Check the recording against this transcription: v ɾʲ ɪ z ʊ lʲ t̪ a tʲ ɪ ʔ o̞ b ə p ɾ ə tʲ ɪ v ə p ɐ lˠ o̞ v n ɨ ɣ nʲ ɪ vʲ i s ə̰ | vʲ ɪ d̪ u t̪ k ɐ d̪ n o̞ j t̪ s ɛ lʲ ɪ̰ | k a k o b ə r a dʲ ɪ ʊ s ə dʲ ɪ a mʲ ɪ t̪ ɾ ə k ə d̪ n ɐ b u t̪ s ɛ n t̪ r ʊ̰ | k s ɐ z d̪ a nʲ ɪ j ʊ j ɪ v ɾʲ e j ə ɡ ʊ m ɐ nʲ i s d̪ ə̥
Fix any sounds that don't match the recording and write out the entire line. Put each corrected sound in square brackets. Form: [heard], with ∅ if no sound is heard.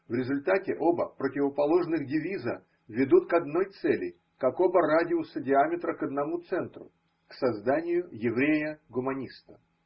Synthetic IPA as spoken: v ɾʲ ɪ z ʊ lʲ t̪ a tʲ ɪ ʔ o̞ b ə p ɾ ə tʲ ɪ v ə p ɐ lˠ o̞ [ʐ] n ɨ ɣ [dʲ] ɪ vʲ i [z] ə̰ | vʲ ɪ d̪ u t̪ k ɐ d̪ n o̞ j t̪ s ɛ lʲ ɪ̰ | k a k o b ə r a dʲ ɪ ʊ s ə dʲ ɪ a mʲ ɪ t̪ ɾ ə k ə d̪ n ɐ [m] u t̪ s ɛ n t̪ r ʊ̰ | k s ɐ z d̪ a nʲ ɪ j ʊ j ɪ v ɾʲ e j ə ɡ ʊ m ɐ nʲ i s [t̪] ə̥